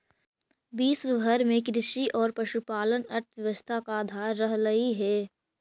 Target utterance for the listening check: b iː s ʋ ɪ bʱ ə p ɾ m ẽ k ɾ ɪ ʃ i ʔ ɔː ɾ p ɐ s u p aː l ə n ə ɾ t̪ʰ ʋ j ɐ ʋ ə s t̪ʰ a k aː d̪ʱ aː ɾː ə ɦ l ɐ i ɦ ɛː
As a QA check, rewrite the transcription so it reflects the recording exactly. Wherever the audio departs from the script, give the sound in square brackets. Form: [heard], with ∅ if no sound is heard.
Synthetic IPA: b iː s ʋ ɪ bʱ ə [∅] ɾ m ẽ k ɾ ɪ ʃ i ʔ ɔː ɾ p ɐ [ʃ] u p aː l ə n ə ɾ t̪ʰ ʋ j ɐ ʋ ə s t̪ʰ a k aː d̪ʱ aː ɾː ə ɦ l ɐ i ɦ ɛː